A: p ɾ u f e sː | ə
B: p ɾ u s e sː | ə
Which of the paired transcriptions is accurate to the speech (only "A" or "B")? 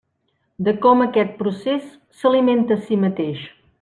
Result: B